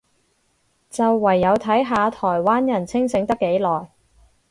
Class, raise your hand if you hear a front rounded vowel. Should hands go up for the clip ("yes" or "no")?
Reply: no